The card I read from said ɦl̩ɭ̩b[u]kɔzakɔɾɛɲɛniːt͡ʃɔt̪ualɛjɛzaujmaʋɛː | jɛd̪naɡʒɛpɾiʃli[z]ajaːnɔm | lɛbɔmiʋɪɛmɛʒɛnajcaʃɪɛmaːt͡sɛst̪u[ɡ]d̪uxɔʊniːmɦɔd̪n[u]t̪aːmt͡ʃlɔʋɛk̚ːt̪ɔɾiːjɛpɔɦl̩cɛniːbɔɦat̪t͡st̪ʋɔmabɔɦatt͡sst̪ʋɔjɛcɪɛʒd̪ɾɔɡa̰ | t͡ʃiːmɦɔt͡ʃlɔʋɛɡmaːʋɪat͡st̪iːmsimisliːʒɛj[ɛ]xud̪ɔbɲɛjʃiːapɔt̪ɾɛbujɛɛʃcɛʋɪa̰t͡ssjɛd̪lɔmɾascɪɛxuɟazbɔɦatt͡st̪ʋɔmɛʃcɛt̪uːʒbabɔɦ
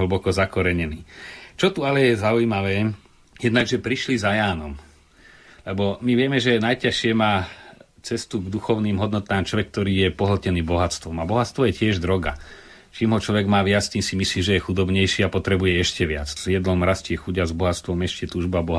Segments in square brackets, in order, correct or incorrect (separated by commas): incorrect, correct, correct, incorrect, correct